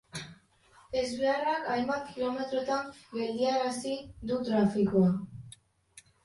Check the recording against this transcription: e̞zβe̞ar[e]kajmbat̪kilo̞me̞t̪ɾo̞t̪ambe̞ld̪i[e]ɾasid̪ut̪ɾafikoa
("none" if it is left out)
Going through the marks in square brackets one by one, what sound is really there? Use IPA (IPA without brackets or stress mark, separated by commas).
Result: a, a